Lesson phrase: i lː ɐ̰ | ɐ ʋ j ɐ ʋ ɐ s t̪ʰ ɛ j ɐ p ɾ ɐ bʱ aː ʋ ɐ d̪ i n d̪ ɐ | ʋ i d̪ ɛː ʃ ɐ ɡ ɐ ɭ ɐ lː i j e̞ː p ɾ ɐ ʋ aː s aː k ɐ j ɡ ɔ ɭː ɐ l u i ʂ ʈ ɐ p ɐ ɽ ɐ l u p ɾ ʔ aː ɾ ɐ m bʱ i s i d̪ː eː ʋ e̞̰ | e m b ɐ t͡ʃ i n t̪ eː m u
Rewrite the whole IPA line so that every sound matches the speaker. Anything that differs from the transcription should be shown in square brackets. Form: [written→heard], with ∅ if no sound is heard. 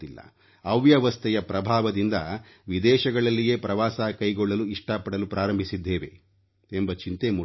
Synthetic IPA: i lː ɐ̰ | ɐ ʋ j ɐ ʋ ɐ s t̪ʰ ɛ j ɐ p ɾ ɐ bʱ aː ʋ ɐ d̪ i n d̪ ɐ | ʋ i d̪ ɛː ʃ ɐ ɡ ɐ ɭ ɐ lː i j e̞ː p ɾ ɐ ʋ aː s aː k ɐ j ɡ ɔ ɭː ɐ l u i ʂ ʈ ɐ p ɐ ɽ ɐ l u p ɾ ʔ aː ɾ ɐ m bʱ i s i d̪ː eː ʋ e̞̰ | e m b ɐ t͡ʃ i n t̪ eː m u